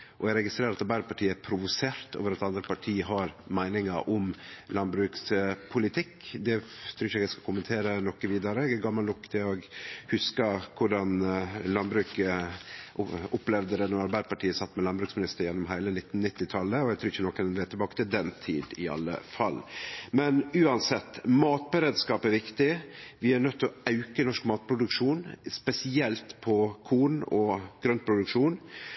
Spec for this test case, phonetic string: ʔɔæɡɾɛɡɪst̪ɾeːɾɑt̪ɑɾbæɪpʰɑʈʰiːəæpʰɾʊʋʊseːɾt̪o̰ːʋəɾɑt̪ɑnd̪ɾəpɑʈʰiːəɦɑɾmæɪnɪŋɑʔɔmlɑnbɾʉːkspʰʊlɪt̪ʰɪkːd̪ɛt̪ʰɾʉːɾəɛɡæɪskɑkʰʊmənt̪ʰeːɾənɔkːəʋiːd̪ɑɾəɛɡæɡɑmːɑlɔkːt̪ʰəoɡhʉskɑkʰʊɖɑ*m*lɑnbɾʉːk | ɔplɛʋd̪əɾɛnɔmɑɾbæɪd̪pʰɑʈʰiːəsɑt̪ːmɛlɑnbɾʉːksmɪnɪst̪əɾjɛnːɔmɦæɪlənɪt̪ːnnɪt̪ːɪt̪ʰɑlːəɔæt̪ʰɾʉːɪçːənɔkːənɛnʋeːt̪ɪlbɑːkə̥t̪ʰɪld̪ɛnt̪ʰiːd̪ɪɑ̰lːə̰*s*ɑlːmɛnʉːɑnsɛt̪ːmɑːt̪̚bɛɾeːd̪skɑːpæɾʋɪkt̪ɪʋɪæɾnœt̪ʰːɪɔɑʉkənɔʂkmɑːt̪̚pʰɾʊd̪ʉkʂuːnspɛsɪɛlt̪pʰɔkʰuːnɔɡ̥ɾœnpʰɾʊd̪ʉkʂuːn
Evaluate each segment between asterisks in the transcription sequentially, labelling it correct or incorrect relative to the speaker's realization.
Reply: incorrect, incorrect

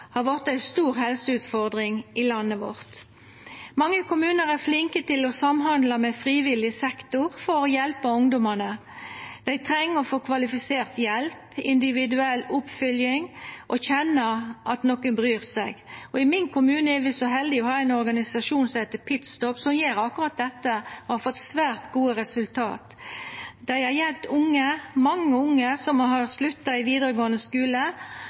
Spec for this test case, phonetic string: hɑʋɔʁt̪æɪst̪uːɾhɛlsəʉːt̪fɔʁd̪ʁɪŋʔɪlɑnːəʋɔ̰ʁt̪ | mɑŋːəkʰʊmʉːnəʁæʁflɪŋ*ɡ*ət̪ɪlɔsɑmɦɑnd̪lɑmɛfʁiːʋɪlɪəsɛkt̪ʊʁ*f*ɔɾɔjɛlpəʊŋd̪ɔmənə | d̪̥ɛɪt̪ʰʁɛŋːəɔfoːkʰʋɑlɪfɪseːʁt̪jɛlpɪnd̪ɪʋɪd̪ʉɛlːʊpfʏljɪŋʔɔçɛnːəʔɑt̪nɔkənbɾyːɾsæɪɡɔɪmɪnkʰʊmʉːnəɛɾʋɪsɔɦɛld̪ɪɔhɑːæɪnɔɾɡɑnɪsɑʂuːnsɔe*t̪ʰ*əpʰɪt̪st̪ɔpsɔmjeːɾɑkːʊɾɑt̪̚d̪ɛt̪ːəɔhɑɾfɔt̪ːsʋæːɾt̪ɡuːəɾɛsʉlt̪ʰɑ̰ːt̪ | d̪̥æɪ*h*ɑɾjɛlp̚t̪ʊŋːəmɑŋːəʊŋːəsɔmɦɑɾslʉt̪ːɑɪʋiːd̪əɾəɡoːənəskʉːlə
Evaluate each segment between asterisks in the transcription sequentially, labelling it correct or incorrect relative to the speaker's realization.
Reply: incorrect, correct, incorrect, correct

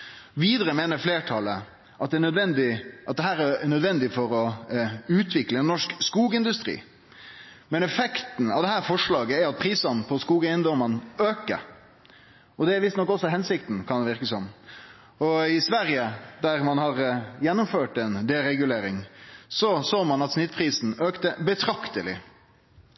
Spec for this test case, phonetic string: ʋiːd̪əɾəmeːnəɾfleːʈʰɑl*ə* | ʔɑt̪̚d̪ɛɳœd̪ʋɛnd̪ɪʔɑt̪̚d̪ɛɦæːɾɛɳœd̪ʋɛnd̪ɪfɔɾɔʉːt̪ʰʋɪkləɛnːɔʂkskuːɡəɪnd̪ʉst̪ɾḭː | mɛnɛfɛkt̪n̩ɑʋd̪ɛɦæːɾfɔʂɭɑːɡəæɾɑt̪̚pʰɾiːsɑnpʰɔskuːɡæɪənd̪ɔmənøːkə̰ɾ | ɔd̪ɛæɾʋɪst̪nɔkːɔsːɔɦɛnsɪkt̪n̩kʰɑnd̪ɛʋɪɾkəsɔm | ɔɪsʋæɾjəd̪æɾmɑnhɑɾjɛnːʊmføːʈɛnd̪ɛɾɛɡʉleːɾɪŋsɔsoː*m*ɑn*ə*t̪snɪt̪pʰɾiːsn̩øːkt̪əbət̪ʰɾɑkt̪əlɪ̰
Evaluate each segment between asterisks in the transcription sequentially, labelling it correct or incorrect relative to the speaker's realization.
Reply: correct, correct, incorrect

